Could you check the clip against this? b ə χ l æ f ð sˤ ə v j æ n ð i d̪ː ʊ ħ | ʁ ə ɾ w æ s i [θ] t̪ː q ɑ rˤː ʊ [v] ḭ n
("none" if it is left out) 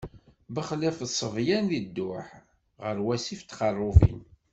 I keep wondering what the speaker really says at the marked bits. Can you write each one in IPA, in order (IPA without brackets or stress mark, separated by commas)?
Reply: f, v